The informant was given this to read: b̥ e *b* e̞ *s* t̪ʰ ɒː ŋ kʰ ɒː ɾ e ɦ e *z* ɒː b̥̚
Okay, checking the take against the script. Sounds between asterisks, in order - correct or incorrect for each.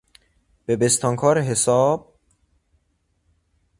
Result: correct, correct, incorrect

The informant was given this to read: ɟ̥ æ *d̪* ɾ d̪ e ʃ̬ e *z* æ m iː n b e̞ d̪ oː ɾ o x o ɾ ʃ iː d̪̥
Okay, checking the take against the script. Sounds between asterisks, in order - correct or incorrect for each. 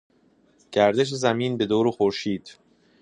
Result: incorrect, correct

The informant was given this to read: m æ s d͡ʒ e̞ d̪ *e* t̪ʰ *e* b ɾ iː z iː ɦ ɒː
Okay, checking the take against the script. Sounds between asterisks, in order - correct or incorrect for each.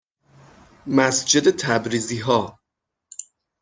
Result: correct, incorrect

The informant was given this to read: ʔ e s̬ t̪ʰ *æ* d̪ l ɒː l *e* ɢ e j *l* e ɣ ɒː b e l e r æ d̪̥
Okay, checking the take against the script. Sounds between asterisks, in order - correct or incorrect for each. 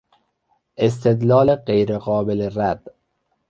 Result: incorrect, correct, incorrect

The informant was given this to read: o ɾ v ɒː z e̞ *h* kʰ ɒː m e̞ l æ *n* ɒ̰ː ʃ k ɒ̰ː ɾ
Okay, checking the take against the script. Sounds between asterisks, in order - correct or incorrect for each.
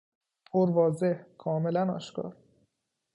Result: correct, correct

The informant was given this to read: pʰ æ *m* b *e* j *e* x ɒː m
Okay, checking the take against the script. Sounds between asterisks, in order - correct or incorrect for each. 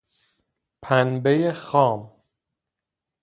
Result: incorrect, correct, correct

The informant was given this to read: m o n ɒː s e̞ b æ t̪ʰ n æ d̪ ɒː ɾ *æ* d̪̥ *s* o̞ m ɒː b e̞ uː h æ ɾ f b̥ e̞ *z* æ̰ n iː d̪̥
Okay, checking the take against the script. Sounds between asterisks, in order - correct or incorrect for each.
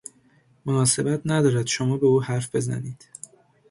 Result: correct, incorrect, correct

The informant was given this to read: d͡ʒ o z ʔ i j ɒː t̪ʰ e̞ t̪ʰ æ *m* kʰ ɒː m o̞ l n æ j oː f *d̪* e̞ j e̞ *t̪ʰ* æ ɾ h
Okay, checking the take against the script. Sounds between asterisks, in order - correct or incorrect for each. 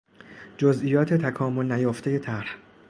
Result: incorrect, incorrect, correct

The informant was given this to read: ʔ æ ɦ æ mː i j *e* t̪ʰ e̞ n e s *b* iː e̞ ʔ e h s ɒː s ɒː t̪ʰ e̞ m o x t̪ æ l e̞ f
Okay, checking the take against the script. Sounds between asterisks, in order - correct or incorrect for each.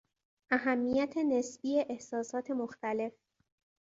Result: incorrect, correct

